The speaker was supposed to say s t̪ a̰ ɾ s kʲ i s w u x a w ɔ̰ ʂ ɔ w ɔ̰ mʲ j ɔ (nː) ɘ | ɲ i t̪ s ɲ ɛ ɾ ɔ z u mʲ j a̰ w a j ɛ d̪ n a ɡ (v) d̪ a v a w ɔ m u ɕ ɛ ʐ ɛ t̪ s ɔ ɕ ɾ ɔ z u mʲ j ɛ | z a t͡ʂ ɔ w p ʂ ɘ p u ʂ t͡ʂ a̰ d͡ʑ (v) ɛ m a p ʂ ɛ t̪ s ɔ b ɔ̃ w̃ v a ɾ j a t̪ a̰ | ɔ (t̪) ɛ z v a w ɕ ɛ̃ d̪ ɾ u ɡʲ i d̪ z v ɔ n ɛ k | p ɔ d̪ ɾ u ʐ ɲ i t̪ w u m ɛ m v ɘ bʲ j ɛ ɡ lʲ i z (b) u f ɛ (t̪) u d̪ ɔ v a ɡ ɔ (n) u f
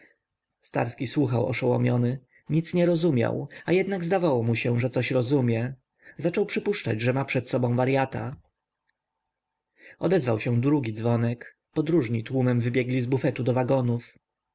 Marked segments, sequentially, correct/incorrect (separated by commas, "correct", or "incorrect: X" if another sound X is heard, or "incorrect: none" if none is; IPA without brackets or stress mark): incorrect: n, incorrect: z, incorrect: ʐ, incorrect: d̪, correct, correct, correct